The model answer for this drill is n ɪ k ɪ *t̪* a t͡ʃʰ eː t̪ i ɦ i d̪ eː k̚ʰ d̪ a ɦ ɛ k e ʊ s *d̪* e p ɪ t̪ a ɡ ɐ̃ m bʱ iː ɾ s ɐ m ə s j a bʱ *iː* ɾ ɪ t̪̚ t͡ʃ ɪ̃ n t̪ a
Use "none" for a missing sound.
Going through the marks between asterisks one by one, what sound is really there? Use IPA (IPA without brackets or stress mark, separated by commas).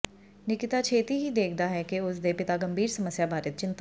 t̪, d̪, aː